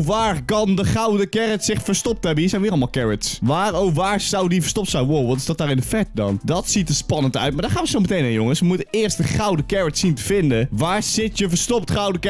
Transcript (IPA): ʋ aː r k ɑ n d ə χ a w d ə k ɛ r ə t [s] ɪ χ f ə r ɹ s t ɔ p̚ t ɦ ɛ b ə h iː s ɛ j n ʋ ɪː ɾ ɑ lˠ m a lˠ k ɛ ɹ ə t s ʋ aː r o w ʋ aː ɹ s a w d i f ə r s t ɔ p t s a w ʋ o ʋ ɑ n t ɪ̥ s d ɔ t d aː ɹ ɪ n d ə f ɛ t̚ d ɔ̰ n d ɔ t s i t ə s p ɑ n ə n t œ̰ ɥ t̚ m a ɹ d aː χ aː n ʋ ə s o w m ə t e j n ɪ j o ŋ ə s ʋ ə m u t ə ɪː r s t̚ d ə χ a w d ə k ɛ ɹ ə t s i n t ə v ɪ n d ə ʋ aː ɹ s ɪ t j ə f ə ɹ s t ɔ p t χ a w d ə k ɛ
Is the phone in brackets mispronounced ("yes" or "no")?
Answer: no